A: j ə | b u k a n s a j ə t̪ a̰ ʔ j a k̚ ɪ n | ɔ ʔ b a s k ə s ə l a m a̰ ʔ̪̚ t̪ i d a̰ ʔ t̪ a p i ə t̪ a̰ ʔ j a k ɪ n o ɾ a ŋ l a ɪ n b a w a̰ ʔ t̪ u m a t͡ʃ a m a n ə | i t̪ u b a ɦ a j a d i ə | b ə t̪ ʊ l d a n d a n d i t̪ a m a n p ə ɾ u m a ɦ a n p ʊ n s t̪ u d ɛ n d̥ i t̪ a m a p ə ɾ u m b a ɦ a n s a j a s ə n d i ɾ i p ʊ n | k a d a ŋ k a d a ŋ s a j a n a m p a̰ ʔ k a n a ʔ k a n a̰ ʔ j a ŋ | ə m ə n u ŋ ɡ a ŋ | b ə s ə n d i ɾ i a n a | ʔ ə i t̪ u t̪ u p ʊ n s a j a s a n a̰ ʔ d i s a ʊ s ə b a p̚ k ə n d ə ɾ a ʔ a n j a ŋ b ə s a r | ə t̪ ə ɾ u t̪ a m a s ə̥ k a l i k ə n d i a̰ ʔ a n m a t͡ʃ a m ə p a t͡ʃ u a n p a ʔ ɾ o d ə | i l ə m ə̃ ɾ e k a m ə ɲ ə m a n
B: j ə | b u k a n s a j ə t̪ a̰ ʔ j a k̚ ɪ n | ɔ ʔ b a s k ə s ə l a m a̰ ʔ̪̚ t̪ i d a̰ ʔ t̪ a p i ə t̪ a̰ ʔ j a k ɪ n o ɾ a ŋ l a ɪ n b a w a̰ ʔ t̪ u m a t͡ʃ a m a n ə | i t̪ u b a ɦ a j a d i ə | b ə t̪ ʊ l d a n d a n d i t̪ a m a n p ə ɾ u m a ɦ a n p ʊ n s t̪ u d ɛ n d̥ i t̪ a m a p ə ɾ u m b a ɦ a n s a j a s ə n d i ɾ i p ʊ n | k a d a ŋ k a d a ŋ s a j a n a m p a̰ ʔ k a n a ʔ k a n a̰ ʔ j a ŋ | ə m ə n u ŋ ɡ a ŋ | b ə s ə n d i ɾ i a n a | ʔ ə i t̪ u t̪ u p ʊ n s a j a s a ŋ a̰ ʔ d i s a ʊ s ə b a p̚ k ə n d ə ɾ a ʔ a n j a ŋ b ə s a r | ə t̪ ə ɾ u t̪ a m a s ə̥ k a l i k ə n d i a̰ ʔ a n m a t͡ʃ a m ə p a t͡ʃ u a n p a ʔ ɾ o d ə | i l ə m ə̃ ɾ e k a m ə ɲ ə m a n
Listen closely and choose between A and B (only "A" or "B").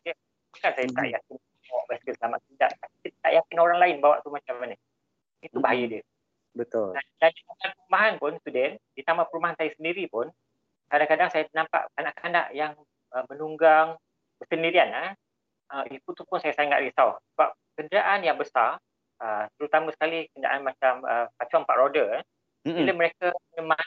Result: B